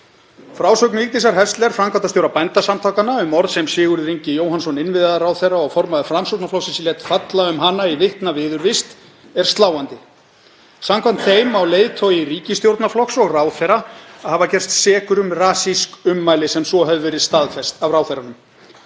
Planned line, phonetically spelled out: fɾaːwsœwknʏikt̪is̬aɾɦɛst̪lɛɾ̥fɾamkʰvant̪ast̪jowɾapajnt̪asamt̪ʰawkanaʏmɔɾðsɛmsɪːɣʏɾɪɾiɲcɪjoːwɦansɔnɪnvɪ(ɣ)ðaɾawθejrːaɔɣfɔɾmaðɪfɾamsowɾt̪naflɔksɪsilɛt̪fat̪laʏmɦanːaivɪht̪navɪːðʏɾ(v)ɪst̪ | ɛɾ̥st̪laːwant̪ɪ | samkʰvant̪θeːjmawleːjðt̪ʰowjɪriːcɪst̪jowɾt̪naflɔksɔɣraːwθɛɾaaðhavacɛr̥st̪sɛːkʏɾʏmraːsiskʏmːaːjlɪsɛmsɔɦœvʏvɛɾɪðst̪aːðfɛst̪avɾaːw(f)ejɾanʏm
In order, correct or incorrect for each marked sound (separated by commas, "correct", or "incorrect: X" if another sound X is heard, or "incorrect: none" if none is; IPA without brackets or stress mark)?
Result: incorrect: ð, correct, incorrect: θ